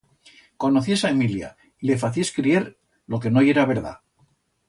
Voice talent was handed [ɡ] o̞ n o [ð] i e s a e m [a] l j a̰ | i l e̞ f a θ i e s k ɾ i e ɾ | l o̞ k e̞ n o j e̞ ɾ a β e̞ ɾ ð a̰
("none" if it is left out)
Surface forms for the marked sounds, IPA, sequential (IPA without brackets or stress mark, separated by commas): k, θ, i